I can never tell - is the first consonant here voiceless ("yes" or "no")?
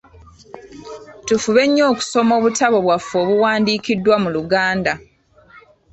yes